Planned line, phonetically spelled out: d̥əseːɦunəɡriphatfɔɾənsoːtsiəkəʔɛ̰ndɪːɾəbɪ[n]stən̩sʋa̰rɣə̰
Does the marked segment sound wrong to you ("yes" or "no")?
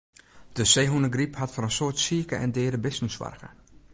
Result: yes